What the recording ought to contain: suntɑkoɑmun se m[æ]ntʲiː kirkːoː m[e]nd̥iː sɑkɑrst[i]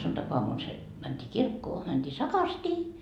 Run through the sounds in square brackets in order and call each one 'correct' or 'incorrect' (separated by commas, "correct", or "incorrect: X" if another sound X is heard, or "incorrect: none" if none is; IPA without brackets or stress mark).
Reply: correct, incorrect: æ, incorrect: iː